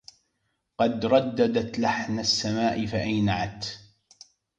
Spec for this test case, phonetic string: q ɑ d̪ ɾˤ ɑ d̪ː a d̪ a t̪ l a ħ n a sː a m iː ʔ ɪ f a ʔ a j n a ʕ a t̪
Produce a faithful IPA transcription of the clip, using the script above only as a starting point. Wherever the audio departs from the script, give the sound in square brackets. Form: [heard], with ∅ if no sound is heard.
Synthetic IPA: q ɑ d̪ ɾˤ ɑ d̪ː a d̪ a t̪ l a ħ n a sː a m [aː] ʔ ɪ f a ʔ a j n a ʕ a t̪